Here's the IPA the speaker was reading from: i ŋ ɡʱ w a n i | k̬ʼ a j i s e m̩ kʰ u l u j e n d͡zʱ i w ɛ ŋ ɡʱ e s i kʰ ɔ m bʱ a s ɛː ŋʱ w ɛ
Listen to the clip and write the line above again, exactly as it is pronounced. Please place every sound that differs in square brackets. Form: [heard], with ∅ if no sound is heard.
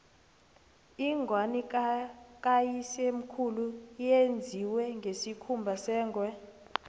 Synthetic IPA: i ŋ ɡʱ w a n i | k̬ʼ a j i s e m̩ kʰ u l u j e n d͡zʱ i w ɛ ŋ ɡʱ e s i kʰ [u] m bʱ a s ɛː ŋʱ w ɛ

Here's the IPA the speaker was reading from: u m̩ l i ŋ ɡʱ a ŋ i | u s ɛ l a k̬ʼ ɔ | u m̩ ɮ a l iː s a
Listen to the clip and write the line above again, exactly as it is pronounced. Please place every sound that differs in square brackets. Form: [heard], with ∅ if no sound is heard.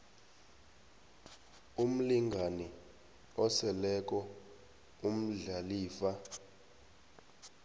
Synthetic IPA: u m̩ l i ŋ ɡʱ a [n] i | [ɔ] s ɛ l [ɛ] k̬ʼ ɔ | u m̩ ɮ a l iː [f] a

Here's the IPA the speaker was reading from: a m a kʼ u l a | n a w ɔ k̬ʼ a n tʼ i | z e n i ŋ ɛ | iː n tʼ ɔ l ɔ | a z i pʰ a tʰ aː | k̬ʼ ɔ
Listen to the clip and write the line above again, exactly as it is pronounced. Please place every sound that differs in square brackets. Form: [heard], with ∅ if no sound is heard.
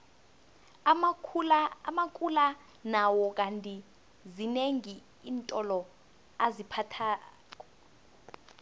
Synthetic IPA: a m a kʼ u l a | n a w ɔ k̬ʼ a n tʼ i | z [i] n [e] ŋ [i] | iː n tʼ ɔ l ɔ | a z i pʰ a tʰ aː | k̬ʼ ɔ

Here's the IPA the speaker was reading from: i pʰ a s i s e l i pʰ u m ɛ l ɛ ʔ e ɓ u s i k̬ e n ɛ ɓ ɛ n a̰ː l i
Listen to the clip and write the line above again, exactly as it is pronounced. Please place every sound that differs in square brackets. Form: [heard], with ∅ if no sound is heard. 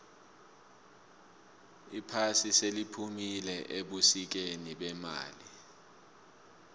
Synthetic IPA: i pʰ a s i s e l i pʰ u m [i] l ɛ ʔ e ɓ u s i k̬ e n [i] ɓ ɛ [m] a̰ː l i

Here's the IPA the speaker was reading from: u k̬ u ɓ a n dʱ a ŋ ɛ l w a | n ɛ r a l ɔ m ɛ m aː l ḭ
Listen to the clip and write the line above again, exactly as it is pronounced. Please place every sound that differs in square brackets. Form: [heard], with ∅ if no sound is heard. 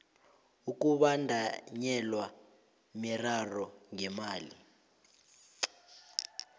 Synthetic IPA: u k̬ u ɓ a n dʱ a [ɲ] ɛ l w a | [m] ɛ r a [r] ɔ [ŋ] ɛ m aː l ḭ

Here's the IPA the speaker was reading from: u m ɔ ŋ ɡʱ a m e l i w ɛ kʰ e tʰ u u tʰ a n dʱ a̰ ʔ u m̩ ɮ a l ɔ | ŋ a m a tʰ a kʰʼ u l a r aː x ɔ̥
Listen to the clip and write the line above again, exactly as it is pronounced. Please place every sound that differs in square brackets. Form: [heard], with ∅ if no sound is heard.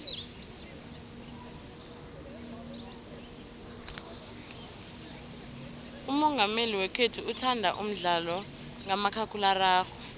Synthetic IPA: u m ɔ ŋ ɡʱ a m e l i w ɛ kʰ e tʰ u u tʰ a n dʱ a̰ ʔ u m̩ ɮ a l ɔ | ŋ a m a [kʰ] a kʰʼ u l a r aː x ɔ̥

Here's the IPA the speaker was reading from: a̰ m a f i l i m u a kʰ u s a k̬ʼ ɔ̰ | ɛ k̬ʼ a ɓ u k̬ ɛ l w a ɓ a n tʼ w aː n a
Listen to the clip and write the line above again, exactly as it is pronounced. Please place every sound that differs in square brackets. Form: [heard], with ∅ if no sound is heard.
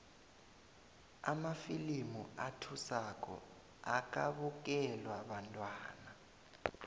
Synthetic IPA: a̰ m a f i l i m u a [tʰ] u s a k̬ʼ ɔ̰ | [a] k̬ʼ a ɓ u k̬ ɛ l w a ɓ a n tʼ w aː n a

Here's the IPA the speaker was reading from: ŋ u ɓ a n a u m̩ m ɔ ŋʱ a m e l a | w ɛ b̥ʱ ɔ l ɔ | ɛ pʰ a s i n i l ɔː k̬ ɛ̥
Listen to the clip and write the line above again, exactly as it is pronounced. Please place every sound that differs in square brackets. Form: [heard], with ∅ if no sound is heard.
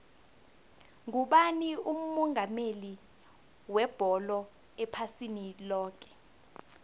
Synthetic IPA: ŋ u ɓ a n [i] u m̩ m ɔ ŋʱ a m e l [i] | w ɛ b̥ʱ ɔ l ɔ | ɛ pʰ a s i n i l ɔː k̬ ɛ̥

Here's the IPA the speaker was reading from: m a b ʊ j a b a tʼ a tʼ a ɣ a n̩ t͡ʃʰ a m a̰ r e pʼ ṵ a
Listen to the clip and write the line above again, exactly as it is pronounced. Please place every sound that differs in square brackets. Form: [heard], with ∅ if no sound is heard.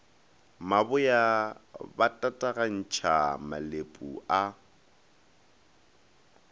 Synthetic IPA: m a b ʊ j a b a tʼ a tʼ a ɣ a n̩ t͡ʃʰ a m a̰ [l] e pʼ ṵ a

